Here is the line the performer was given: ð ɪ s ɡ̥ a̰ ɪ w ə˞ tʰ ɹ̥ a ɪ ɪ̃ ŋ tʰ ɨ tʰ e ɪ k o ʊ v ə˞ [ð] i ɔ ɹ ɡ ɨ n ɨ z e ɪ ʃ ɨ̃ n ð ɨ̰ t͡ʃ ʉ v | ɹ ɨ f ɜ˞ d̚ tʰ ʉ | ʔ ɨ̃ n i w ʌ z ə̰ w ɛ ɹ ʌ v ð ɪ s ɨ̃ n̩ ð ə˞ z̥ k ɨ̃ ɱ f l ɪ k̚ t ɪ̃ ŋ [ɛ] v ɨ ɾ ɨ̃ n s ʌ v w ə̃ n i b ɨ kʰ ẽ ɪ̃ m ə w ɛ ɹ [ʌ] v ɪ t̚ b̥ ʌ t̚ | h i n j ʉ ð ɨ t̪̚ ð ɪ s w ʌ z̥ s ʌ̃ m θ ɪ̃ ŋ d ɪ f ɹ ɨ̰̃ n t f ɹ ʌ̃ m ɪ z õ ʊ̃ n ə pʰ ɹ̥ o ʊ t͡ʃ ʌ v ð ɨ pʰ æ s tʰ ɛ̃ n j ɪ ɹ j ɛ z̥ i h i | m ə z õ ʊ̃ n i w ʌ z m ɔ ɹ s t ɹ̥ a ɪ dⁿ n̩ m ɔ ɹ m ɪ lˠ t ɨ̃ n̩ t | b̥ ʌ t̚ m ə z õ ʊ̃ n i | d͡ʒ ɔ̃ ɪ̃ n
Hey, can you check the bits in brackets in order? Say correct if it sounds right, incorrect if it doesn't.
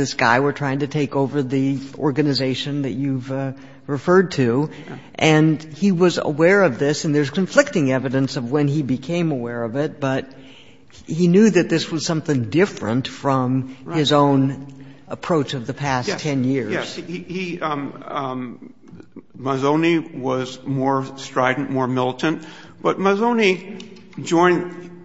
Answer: correct, correct, correct

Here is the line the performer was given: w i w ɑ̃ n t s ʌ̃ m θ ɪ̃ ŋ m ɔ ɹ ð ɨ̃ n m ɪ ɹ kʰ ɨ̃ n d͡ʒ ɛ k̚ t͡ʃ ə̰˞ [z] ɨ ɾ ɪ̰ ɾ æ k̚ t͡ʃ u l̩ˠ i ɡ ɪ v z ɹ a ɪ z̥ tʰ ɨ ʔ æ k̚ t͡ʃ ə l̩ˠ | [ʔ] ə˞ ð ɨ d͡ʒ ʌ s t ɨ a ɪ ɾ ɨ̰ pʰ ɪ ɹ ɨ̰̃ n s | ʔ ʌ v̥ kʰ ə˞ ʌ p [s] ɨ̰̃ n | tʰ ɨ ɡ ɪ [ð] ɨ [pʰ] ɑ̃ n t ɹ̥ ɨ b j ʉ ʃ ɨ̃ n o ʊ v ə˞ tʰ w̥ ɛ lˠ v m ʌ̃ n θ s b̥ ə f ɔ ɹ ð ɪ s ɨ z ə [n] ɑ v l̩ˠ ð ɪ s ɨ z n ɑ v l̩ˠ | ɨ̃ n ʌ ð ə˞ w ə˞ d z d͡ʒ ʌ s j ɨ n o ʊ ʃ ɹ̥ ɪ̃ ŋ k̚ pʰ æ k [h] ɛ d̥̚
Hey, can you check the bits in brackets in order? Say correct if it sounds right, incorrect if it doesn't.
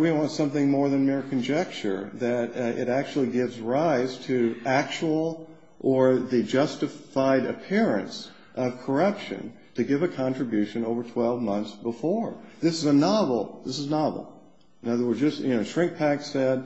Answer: incorrect: ð, correct, incorrect: ʃ, incorrect: v, incorrect: kʰ, correct, incorrect: s

